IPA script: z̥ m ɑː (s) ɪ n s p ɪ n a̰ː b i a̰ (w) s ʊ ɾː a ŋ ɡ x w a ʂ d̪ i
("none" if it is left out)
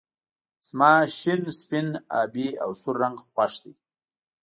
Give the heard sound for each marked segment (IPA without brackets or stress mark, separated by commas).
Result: ʃ, w